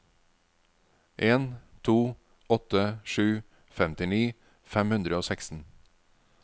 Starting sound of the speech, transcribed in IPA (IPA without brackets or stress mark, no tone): ʔ